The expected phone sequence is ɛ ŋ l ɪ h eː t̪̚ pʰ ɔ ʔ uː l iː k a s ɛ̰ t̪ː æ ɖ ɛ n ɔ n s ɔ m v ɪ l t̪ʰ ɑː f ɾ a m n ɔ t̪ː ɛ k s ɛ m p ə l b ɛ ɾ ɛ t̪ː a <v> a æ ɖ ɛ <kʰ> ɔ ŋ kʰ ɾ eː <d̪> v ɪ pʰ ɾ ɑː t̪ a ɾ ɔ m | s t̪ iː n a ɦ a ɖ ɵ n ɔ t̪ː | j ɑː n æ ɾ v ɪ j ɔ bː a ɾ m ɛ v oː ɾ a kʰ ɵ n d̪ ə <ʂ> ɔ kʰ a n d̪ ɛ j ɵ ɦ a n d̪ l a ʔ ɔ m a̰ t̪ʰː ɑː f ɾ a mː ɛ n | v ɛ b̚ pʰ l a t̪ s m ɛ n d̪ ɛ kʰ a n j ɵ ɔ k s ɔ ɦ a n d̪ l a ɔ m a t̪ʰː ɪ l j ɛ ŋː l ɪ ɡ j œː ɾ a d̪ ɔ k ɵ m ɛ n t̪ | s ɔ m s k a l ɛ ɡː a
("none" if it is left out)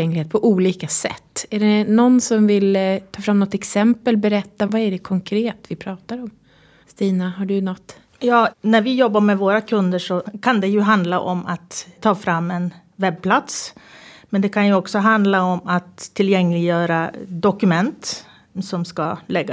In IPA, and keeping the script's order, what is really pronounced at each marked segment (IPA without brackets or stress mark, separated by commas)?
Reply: v, kʰ, t̪, ʂ